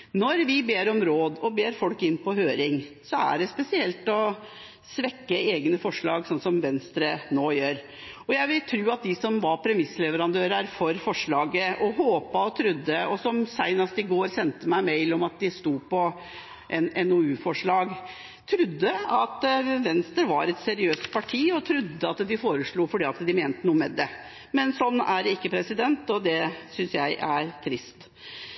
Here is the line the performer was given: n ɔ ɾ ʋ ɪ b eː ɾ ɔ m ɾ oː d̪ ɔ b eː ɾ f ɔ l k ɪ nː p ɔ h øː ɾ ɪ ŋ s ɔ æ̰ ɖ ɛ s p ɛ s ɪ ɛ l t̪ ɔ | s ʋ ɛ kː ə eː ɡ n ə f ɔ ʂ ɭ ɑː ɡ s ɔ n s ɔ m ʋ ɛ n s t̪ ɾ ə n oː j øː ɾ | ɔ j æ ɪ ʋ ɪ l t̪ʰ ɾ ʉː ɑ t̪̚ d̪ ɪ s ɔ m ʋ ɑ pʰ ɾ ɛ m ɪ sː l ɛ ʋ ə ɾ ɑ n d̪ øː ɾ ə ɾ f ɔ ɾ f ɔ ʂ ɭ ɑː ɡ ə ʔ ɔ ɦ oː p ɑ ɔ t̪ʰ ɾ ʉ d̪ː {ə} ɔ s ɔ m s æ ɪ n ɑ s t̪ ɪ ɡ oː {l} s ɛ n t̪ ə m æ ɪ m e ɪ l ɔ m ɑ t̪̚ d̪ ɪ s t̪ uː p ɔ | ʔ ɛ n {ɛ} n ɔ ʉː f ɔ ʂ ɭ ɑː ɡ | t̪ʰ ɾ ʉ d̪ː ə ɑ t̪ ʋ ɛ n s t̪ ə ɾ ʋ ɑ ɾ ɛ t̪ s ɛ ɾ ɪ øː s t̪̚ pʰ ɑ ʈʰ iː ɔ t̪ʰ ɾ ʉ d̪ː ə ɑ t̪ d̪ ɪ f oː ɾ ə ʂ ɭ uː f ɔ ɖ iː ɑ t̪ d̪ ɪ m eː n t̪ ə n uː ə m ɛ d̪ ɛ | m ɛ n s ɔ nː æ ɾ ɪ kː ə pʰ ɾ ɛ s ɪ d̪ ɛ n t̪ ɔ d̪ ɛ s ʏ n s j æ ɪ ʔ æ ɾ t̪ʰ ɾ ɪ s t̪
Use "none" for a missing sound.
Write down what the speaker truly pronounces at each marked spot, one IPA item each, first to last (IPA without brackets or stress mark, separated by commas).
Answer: ə, ɾ, ɛ